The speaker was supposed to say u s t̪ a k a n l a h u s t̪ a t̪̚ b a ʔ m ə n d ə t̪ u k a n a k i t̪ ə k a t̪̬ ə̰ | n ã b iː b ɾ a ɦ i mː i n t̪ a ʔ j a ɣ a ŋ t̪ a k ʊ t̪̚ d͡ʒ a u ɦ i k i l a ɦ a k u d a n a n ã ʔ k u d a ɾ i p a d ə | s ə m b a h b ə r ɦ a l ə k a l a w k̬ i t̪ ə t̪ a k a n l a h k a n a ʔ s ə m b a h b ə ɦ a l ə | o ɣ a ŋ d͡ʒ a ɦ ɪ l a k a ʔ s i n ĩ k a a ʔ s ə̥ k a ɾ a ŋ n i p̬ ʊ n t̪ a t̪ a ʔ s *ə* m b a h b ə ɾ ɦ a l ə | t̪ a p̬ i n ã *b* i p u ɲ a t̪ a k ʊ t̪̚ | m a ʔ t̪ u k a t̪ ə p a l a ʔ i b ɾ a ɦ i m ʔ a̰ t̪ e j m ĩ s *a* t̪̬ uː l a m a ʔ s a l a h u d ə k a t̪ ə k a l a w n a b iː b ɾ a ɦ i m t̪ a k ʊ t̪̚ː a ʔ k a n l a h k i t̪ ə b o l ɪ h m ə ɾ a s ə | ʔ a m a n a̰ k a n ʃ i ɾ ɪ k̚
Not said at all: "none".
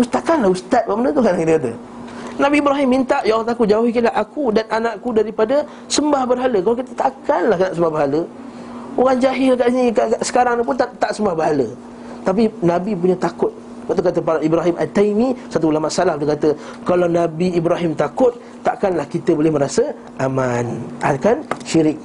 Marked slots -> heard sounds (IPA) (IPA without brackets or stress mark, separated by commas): ə, b, a